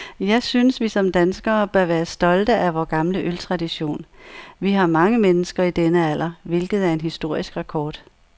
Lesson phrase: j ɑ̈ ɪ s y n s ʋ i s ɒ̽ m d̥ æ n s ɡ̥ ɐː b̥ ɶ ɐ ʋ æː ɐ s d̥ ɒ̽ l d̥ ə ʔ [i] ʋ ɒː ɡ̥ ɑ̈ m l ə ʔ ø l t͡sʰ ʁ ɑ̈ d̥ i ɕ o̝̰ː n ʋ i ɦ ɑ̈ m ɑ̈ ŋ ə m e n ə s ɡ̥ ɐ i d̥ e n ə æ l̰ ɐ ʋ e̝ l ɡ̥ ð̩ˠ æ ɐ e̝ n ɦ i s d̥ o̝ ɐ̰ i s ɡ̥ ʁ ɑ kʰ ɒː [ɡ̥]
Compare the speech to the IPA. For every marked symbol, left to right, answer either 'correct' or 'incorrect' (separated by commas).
incorrect, incorrect